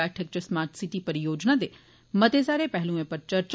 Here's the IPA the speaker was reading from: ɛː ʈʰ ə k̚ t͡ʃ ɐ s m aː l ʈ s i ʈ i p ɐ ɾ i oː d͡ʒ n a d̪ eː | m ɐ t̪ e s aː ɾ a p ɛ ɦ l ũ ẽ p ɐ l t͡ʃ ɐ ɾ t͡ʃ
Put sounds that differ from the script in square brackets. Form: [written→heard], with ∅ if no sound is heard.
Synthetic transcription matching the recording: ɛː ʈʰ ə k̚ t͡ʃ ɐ s m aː [l→ɾ] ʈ s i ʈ i p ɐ ɾ [i→j] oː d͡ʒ n a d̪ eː | m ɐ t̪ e s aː ɾ [a→e] p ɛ ɦ l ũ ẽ p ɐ [l→ɾ] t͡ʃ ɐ ɾ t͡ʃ